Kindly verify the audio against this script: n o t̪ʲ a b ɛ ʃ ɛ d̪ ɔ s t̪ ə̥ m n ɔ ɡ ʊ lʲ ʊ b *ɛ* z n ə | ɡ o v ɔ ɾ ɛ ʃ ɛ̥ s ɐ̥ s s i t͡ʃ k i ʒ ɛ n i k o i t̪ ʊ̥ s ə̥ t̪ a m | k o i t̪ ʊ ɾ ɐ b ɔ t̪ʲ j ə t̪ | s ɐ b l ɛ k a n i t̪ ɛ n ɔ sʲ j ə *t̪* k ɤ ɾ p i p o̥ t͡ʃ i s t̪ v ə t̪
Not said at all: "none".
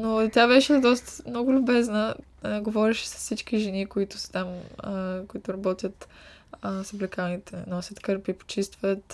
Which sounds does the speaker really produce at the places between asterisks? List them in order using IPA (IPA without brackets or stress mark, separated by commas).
ɛ, t̪